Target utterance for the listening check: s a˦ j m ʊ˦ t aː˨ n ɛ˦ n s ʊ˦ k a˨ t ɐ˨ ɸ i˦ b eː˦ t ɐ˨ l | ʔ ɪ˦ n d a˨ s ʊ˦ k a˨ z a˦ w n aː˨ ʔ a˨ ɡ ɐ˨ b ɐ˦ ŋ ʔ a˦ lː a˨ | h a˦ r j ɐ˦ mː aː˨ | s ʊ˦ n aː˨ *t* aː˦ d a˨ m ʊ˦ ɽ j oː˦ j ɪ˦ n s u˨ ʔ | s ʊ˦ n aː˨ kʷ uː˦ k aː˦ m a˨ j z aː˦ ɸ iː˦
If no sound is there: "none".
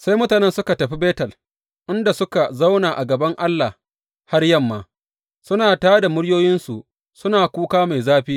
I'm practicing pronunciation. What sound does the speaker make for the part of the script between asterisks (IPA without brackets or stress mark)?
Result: t